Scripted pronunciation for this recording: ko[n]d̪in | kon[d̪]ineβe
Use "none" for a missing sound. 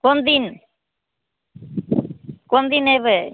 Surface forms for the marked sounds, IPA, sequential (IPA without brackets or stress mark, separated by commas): n, d̪